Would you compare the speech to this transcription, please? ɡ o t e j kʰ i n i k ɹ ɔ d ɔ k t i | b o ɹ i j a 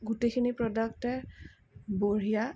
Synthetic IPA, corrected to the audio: ɡ u t e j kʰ i n i p ɹ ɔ d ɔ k t ɛ | b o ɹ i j a

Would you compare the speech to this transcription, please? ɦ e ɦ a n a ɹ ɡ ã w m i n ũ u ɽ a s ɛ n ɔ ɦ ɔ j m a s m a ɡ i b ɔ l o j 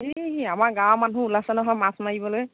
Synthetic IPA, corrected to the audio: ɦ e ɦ a m a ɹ ɡ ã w m a n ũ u l a s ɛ n ɔ ɦ ɔ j m a s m a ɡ i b ɔ l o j

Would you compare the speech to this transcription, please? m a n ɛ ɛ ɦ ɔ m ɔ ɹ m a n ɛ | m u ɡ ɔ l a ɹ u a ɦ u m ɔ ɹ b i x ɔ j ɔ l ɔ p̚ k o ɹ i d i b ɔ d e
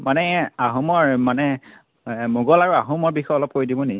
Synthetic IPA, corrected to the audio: m a n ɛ a ɦ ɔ m ɔ ɹ m a n ɛ | m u ɡ ɔ l a ɹ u a ɦ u m ɔ ɹ b i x ɔ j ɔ l ɔ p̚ k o ɹ i d i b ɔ n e

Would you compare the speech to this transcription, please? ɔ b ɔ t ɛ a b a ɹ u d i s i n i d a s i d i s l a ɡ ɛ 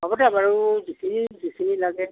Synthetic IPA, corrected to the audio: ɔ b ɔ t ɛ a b a ɹ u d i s i n i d i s i n i l a ɡ ɛ

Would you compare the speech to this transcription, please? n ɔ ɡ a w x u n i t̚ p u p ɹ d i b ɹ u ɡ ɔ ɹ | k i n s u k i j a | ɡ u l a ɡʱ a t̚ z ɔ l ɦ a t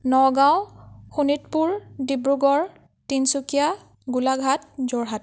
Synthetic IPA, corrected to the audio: n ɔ ɡ a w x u n i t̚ p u ɹ d i b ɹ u ɡ ɔ ɹ | t i n s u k i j a | ɡ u l a ɡʱ a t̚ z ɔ ɹ ɦ a t

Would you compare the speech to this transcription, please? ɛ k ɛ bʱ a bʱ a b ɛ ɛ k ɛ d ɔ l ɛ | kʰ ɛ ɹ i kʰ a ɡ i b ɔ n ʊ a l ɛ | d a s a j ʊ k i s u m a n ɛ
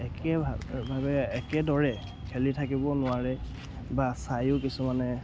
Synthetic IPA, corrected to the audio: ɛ k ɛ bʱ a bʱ a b ɛ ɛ k ɛ d ɔ ɹ ɛ | kʰ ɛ l i tʰ a k i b ɔ n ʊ a ɹ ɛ | b a s a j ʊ k i s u m a n ɛ

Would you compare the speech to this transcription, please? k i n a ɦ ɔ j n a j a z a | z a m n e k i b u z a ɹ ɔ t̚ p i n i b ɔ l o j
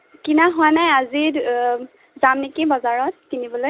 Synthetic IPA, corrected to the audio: k i n a ɦ ɔ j n a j a z i | z a m n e k i b ɔ z a ɹ ɔ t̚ k i n i b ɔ l o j

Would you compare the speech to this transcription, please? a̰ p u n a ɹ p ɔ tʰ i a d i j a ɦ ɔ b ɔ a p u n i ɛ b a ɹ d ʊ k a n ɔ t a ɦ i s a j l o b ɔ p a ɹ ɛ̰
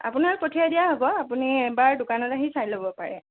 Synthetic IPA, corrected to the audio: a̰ p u n a ɹ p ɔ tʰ i a d i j a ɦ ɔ b ɔ a p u n i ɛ b a ɹ d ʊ k a n ɔ t a ɦ i s a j l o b ɔ p a ɹ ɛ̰

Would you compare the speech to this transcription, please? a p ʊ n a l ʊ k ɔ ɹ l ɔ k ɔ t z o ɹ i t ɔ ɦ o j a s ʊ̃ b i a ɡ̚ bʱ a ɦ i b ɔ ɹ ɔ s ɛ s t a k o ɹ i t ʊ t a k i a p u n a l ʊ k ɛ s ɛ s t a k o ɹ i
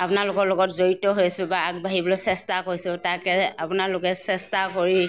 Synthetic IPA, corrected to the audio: a p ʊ n a l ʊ k ɔ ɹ l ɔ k ɔ t z o ɹ i t ɔ ɦ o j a s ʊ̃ b a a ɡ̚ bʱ a ɦ i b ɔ l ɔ s ɛ s t a k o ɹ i s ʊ t a k ɛ a p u n a l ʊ k ɛ s ɛ s t a k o ɹ i

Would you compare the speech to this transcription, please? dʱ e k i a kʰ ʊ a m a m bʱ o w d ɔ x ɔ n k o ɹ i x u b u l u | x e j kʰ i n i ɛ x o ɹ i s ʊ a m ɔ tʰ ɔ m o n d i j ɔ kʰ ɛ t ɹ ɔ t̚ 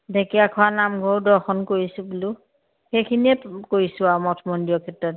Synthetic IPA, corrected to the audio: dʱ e k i a kʰ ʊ a n a m ɡʱ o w d ɔ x ɔ n k o ɹ i s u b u l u | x e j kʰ i n i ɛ k o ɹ i s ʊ a m ɔ tʰ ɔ m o n d i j ɔ kʰ ɛ t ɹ ɔ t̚

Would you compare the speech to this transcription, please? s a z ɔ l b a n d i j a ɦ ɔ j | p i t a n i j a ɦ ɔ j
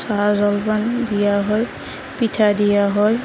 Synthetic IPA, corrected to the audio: s a z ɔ l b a n d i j a ɦ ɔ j | p i tʰ a d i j a ɦ ɔ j

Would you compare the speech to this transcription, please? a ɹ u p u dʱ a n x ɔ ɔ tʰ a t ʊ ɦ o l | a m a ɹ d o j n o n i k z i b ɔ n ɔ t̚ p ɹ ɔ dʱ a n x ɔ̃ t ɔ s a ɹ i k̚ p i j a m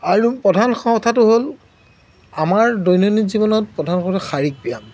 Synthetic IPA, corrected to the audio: a ɹ u p ɔ dʱ a n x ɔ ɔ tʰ a t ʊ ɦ o l | a m a ɹ d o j n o n i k z i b ɔ n ɔ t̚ p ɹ ɔ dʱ a n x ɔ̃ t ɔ x a ɹ i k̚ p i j a m

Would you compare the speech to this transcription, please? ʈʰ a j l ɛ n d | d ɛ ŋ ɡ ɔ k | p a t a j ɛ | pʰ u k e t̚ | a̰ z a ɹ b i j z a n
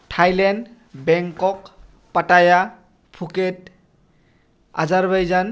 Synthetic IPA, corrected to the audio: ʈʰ a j l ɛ n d | b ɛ ŋ k ɔ k | p a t a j a | pʰ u k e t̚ | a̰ z a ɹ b a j z a n

